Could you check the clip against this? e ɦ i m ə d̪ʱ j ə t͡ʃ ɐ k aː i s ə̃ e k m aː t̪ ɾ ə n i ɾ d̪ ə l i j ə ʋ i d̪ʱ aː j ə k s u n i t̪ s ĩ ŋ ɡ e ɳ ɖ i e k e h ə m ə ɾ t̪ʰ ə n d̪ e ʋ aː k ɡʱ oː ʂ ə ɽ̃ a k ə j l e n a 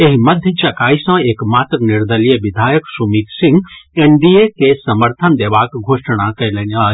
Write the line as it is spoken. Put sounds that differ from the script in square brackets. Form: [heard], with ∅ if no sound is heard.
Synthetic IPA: e ɦ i m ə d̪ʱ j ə t͡ʃ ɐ k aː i s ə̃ e k m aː t̪ ɾ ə n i ɾ d̪ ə l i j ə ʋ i d̪ʱ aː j ə k s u [m] i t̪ s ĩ ŋ ɡ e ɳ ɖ i e k e [s] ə m ə ɾ t̪ʰ ə n d̪ e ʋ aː k ɡʱ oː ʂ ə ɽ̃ a k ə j l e n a